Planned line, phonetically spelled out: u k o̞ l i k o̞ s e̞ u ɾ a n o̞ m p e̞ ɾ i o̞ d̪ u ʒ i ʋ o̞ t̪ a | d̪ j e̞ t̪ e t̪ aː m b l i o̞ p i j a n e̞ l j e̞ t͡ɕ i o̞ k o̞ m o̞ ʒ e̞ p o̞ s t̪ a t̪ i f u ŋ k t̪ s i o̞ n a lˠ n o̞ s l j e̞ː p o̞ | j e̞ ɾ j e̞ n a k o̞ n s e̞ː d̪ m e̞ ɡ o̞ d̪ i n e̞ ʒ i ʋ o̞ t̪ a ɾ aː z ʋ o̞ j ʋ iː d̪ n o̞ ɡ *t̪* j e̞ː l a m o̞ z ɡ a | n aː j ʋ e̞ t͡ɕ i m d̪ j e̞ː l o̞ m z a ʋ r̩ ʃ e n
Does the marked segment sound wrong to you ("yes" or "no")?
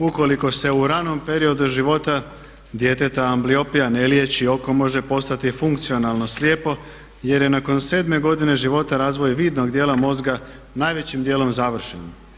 yes